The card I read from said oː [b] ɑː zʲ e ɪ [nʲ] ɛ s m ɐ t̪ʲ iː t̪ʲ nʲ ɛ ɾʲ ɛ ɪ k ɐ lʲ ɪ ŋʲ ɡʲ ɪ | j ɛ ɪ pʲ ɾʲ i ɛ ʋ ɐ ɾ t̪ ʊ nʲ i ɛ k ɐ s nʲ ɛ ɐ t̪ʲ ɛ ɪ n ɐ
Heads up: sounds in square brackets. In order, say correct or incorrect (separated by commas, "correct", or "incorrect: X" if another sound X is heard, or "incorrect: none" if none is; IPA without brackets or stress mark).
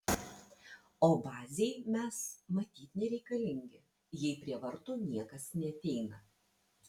correct, incorrect: mʲ